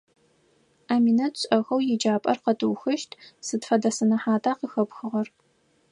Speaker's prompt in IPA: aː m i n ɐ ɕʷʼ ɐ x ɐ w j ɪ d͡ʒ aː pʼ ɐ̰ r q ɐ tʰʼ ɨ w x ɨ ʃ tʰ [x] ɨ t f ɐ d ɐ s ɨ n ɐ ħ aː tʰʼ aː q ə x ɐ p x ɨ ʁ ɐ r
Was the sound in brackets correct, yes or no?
no